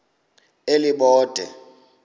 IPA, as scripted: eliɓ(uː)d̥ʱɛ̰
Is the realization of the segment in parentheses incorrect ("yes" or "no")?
yes